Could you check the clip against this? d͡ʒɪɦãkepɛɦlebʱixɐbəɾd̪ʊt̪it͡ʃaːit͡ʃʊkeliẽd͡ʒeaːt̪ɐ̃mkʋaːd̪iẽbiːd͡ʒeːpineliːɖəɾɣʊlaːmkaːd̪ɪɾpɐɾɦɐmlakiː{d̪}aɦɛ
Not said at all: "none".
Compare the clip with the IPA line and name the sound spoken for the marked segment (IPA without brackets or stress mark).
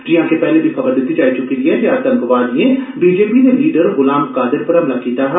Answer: t̪